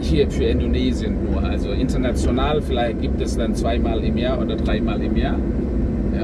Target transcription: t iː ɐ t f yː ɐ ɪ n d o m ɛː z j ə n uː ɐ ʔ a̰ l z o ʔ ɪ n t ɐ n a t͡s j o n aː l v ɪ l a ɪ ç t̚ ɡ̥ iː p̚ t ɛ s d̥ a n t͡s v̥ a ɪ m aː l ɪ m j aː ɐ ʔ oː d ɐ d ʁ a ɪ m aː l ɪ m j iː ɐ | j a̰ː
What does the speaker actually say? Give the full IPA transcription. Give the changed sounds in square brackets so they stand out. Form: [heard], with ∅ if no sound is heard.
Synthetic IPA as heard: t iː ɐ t f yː ɐ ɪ n d o [n] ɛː z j ə n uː ɐ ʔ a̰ l z o ʔ ɪ n t ɐ n a t͡s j o n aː l [f] ɪ l a ɪ ç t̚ ɡ̥ iː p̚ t ɛ s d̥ a n t͡s v̥ a ɪ m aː l ɪ m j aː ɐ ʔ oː d ɐ d ʁ a ɪ m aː l ɪ m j [aː] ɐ | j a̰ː